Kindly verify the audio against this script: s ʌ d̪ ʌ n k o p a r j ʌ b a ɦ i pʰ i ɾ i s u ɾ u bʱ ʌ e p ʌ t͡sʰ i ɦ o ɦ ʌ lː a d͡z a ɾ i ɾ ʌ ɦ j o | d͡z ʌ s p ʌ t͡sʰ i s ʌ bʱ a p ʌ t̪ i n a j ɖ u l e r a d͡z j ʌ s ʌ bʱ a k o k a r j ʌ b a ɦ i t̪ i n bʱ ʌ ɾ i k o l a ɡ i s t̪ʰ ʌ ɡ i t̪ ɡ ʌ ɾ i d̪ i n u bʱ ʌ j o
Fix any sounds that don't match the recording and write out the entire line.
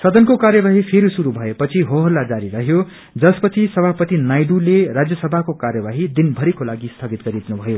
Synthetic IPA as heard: s ʌ d̪ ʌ n k o k a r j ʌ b a ɦ i pʰ e ɾ i s u ɾ u bʱ ʌ e p ʌ t͡sʰ i ɦ o ɦ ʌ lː a d͡z a ɾ i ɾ ʌ ɦ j o | d͡z ʌ s p ʌ t͡sʰ i s ʌ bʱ a p ʌ t̪ i n a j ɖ u l e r a d͡z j ʌ s ʌ bʱ a k o k a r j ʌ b a ɦ i d̪ i n bʱ ʌ ɾ i k o l a ɡ i s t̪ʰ ʌ ɡ i t̪ ɡ ʌ ɾ i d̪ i n u bʱ ʌ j o